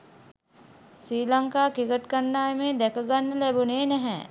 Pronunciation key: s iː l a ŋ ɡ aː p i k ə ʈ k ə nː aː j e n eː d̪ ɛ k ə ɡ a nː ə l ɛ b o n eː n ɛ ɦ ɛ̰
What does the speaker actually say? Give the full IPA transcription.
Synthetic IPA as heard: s iː l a ŋ k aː k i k ə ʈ k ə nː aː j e m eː d̪ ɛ k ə ɡ a nː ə l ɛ b u n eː n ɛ ɦ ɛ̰